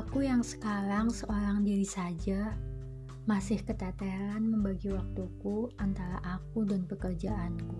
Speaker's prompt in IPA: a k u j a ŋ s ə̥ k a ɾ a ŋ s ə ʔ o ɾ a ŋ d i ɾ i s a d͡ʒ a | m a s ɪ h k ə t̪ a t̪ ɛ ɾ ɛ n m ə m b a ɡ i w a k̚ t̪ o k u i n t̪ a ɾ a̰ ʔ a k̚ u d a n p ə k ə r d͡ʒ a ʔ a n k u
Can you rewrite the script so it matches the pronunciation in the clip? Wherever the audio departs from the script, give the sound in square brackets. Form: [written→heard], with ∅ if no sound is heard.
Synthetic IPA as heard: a k u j a ŋ s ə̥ k a ɾ a ŋ s ə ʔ o ɾ a ŋ d i ɾ i s a d͡ʒ a | m a s ɪ h k ə t̪ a t̪ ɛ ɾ [ɛ→a] n m ə m b a ɡ i w a k̚ t̪ [o→u] k u [i→a] n t̪ a ɾ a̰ ʔ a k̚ u d a n p ə k ə r d͡ʒ a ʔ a n k u